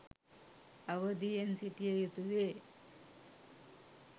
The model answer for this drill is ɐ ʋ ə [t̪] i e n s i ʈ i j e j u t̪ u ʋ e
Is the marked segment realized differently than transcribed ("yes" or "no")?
yes